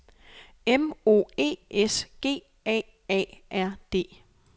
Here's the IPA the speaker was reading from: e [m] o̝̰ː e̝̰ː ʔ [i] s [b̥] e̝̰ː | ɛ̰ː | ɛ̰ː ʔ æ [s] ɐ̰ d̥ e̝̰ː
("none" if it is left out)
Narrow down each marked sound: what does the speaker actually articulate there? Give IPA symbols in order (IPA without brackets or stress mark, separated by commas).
m, e, ɡ̥, none